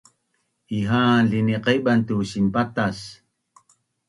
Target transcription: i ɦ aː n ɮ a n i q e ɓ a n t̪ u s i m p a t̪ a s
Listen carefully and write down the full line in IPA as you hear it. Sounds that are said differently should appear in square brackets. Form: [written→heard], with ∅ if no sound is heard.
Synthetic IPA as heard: i ɦ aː n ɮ [a→i] n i q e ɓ a n t̪ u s i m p a t̪ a s